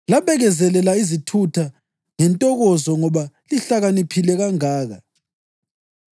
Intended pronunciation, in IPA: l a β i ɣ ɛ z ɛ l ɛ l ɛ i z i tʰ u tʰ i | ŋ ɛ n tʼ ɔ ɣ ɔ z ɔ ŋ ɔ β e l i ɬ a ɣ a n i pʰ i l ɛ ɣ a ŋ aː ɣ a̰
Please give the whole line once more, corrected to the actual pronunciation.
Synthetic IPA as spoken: l a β ɛ ɣ ɛ z ɛ l ɛ l a i z i tʰ u tʰ a | ŋ ɛ n tʼ ɔ ɣ ɔ z ɔ ŋ ɔ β a l i ɬ a ɣ a n i pʰ i l ɛ ɣ a ŋ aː ɣ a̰